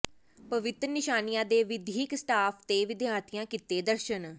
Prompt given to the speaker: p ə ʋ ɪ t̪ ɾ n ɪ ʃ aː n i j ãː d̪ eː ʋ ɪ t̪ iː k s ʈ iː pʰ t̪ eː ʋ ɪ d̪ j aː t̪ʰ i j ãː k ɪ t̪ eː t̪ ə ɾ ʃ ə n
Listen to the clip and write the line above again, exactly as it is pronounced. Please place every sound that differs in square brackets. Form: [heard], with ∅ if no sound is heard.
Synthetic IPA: p ə ʋ ɪ t̪ ɾ n ɪ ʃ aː n i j ãː d̪ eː ʋ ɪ [d̪] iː k s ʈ [aː] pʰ t̪ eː ʋ ɪ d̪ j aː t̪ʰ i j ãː k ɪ t̪ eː [d̪] ə ɾ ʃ ə n